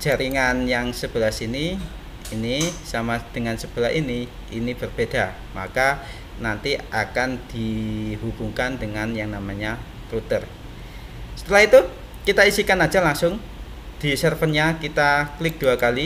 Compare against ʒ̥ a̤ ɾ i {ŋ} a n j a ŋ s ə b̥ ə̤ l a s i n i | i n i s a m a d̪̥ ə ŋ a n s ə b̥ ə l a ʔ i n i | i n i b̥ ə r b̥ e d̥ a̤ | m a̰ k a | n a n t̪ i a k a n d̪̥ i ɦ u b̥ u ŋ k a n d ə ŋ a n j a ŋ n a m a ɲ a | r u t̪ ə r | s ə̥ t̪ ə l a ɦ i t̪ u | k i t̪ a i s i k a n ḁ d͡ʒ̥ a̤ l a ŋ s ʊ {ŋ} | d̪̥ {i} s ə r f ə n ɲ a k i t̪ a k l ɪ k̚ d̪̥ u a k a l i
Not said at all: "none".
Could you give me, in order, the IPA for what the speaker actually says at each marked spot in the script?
ŋ, ŋ, i

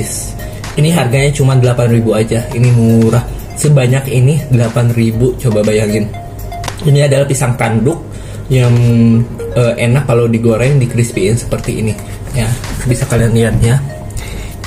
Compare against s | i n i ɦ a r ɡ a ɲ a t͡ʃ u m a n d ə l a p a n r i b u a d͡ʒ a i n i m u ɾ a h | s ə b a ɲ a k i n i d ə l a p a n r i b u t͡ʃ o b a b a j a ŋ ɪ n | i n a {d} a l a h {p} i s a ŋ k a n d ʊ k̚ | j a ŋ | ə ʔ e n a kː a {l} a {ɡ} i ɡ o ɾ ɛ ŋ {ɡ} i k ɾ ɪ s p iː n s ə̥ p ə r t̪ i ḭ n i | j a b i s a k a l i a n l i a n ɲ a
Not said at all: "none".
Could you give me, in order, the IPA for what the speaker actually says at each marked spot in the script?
d, p, l, d, d

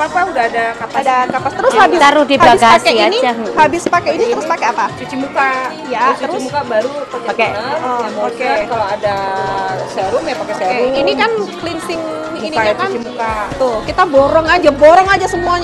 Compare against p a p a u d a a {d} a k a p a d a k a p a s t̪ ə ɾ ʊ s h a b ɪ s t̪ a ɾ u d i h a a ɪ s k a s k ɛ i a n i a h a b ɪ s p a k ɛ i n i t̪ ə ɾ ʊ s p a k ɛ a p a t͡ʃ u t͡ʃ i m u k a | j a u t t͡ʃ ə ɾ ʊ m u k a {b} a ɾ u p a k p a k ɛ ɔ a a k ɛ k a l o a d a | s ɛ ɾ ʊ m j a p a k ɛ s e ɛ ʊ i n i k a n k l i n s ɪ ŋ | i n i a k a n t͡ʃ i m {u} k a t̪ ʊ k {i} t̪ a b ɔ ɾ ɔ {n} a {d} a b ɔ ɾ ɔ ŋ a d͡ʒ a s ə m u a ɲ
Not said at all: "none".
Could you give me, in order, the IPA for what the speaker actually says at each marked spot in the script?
d, b, u, i, ŋ, d͡ʒ

